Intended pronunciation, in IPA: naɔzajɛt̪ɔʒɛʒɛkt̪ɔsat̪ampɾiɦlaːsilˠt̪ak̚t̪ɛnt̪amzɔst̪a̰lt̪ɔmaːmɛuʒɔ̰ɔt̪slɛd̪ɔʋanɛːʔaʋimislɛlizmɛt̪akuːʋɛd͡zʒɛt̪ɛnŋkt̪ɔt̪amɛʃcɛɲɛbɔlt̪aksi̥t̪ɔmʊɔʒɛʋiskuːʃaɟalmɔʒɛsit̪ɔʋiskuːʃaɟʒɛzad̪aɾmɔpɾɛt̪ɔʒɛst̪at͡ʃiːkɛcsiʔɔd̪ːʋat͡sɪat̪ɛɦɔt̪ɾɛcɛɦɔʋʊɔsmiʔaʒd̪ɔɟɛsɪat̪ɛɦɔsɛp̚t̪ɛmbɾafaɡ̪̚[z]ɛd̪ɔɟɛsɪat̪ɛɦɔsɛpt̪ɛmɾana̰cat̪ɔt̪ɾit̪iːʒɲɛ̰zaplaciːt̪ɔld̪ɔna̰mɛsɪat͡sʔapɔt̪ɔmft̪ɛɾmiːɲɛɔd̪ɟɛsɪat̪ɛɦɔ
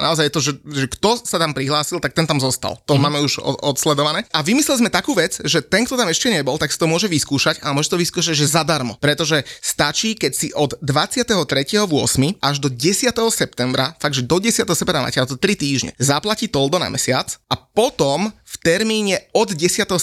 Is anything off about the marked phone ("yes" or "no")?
yes